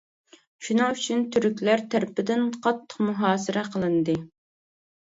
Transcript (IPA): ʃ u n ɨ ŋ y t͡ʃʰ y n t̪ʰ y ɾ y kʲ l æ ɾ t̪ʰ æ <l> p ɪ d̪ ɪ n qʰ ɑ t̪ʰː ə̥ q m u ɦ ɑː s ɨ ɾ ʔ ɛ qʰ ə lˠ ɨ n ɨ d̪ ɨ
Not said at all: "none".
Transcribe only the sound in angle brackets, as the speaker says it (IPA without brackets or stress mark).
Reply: ɾ